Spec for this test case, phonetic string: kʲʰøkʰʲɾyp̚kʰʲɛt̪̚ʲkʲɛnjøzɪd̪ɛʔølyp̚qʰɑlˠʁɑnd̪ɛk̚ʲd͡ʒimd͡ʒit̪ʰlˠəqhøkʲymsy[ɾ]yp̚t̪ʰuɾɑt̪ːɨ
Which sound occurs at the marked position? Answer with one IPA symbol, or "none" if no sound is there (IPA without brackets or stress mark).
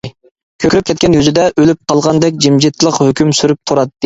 ɾ